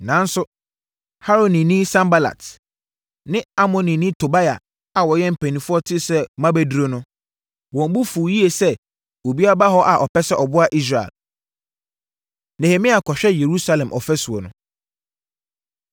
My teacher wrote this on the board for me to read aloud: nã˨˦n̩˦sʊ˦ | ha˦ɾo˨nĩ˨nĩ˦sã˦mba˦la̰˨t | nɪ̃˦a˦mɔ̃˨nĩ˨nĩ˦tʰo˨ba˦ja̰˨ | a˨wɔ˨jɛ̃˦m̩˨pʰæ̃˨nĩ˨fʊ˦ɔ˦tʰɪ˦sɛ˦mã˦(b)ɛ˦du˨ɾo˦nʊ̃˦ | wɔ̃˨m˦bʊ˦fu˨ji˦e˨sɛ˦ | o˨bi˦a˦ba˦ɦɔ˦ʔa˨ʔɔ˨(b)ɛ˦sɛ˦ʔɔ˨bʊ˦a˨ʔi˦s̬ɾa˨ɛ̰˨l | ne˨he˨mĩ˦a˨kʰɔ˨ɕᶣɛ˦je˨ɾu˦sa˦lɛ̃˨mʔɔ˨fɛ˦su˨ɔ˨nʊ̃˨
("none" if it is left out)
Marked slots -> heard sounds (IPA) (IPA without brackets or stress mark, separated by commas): b, p